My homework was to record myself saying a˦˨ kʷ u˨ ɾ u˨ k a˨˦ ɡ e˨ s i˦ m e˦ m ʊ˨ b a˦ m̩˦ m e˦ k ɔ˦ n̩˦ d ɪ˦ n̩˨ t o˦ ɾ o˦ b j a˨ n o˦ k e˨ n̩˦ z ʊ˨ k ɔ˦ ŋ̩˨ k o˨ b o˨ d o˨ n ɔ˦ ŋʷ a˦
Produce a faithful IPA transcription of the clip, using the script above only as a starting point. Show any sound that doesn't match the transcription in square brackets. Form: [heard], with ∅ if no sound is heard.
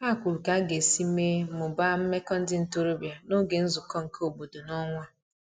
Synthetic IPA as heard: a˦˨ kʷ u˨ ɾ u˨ k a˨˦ ɡ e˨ s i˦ m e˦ m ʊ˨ b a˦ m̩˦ m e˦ k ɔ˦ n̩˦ d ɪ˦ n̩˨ t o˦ ɾ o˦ b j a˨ n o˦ [ɡ] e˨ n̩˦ z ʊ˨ k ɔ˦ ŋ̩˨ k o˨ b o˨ d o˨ n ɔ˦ ŋʷ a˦